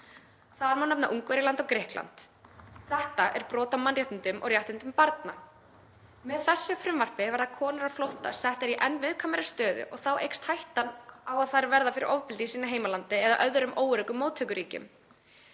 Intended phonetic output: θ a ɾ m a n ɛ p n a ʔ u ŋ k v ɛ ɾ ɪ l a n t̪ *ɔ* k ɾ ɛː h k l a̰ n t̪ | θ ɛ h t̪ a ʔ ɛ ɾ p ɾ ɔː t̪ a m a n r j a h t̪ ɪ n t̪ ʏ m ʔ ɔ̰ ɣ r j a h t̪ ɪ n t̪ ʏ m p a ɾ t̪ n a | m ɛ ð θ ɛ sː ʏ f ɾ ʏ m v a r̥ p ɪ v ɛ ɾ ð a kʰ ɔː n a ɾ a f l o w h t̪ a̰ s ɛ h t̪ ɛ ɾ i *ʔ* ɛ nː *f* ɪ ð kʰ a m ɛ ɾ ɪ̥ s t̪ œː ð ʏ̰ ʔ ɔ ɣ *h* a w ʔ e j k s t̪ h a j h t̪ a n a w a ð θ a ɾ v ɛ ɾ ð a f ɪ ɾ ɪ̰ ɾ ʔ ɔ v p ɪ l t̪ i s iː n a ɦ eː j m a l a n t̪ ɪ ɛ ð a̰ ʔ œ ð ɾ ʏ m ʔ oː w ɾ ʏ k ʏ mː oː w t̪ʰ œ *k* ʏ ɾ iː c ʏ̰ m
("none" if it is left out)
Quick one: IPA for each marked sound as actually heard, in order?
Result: ɔ, ʔ, v, θ, k

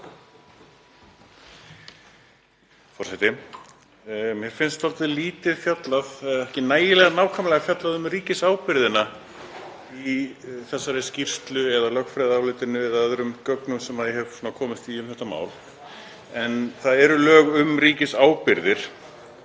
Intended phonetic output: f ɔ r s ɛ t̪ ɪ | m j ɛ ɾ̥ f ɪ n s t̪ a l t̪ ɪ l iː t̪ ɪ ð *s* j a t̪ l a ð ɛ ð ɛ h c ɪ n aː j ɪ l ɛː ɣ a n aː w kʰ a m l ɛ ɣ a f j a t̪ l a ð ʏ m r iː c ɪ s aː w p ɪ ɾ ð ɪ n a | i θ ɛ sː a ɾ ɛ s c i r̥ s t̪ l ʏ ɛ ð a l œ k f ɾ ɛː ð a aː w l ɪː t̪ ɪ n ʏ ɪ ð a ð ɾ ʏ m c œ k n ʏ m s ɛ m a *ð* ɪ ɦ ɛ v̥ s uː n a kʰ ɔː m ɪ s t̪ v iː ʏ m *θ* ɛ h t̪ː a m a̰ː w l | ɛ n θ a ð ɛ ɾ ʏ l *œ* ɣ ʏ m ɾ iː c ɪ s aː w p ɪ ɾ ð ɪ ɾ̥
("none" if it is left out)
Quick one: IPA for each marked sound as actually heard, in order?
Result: f, ð, θ, œː

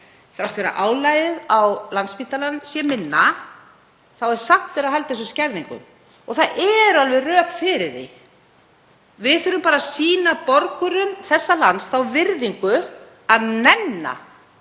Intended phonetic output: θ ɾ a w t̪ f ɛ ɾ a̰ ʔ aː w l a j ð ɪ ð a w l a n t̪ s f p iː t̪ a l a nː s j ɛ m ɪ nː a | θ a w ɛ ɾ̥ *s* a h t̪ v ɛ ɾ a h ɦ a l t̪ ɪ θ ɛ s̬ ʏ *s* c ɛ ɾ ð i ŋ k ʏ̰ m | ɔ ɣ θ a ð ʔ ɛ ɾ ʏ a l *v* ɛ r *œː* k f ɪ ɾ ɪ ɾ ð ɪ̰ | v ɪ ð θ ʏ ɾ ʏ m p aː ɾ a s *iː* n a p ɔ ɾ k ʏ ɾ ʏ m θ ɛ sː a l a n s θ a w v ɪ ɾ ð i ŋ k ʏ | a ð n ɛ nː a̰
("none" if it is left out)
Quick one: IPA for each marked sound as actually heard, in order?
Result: s, s, v, œː, iː

